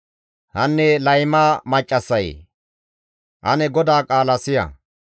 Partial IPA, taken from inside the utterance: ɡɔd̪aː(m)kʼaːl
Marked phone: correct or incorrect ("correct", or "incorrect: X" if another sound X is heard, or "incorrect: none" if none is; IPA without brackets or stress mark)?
incorrect: none